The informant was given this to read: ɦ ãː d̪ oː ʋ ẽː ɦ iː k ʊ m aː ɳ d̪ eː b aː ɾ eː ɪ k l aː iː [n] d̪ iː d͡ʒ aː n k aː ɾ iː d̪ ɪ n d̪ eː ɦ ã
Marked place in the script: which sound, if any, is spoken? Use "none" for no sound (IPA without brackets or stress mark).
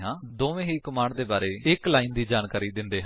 n